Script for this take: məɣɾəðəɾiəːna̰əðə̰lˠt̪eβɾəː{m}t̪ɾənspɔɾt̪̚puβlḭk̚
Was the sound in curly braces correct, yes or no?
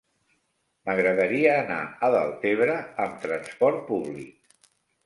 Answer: yes